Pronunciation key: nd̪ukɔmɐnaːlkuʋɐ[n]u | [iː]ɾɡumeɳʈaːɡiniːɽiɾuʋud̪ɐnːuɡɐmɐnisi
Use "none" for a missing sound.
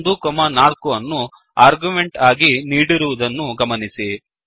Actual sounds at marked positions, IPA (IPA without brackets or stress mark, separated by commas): nː, aː